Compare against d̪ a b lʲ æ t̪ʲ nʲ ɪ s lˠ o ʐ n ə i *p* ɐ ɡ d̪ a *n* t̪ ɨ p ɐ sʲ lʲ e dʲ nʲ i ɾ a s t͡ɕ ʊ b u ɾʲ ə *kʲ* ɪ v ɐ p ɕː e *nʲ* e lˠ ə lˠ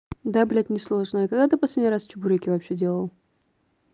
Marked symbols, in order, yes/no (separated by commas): no, no, yes, no